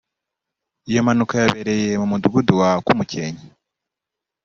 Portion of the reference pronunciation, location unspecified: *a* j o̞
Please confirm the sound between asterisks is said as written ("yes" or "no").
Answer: no